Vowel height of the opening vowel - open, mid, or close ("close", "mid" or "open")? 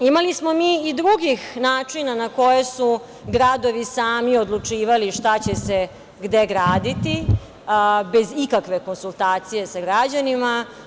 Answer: close